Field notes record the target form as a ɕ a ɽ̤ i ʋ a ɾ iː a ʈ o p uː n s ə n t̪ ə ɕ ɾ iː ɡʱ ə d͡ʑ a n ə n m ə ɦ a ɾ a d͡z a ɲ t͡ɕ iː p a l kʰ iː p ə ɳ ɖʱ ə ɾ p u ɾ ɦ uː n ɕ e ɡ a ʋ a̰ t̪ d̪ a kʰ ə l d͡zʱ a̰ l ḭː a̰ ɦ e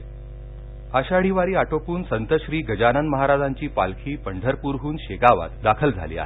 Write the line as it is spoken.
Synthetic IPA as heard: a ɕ a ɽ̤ i ʋ a ɾ iː a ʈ o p uː n s ə n t̪ ə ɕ ɾ iː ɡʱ ə d͡ʑ a n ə n m ə ɦ a ɾ a d͡z a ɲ t͡ɕ iː p a l kʰ iː p ə ɳ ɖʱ ə ɾ p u ɾ ɦ uː n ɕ e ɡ a ʋ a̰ t̪ d̪ a kʰ ə l d͡zʱ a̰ l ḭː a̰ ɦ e